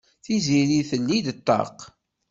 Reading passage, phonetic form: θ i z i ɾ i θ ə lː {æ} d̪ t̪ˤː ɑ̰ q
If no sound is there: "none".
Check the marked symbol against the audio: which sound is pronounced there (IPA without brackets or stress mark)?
i